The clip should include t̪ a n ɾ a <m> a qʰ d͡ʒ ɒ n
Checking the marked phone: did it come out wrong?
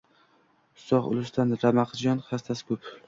no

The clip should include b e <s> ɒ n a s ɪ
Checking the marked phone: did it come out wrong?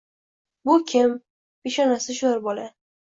yes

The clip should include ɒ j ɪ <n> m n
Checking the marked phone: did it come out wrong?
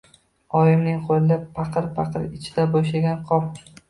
yes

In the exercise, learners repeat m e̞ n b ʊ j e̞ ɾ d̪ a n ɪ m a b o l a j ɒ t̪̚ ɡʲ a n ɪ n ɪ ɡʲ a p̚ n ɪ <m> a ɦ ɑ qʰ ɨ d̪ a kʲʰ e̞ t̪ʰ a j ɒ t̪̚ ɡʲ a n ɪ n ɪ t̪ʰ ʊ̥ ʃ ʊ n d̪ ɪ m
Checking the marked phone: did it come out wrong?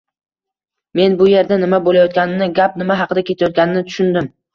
no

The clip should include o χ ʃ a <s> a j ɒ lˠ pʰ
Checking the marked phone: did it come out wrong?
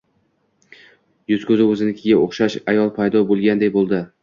yes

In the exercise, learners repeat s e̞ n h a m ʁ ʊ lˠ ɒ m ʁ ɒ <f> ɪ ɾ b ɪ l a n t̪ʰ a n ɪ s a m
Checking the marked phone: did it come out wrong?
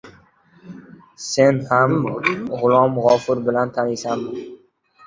no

